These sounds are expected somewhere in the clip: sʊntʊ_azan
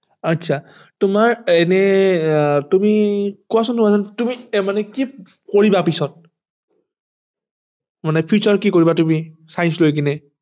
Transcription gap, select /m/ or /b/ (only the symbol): m